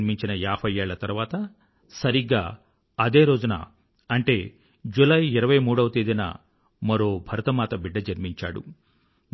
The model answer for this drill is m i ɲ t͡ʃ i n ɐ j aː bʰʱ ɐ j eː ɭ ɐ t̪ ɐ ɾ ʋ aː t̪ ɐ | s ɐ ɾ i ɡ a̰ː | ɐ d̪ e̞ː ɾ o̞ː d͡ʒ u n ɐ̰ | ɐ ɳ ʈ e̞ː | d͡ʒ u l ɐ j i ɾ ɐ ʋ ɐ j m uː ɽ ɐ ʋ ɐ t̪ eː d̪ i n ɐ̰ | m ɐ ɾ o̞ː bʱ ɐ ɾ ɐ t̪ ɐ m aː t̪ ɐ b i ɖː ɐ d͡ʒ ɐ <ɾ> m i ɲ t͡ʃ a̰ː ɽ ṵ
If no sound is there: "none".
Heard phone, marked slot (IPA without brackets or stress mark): ɾ